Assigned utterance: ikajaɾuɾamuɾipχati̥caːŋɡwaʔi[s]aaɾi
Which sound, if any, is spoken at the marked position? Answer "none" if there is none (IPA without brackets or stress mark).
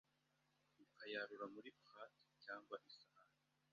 s